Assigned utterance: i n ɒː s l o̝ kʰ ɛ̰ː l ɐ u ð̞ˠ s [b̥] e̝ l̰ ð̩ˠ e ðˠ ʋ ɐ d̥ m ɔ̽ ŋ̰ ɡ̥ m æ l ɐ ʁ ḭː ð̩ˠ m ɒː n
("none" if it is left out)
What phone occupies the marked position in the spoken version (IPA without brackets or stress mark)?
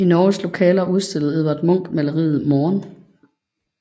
d̥